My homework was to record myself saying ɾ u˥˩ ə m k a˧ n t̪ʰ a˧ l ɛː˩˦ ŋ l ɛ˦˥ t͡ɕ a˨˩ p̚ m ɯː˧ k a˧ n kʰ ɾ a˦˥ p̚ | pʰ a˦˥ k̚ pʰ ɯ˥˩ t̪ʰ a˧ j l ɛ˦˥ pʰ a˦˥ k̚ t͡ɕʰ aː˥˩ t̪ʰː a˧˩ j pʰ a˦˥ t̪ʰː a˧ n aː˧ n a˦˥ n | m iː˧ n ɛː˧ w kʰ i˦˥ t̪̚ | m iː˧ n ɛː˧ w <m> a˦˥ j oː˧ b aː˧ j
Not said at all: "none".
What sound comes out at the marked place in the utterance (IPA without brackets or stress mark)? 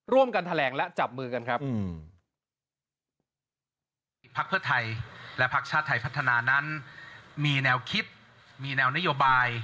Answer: n